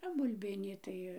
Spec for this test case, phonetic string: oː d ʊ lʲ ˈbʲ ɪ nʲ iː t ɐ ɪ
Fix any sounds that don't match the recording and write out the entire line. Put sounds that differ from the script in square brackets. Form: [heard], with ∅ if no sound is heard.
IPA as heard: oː [b] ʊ lʲ ˈbʲ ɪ nʲ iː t ɐ ɪ